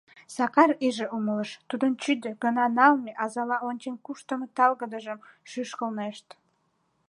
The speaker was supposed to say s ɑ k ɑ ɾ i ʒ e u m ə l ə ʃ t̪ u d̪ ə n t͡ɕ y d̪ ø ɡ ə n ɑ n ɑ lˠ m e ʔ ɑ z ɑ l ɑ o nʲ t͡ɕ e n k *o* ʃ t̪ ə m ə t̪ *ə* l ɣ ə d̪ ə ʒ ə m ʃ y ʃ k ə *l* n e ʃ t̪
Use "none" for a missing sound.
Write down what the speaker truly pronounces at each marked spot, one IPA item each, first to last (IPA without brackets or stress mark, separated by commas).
u, ɑ, l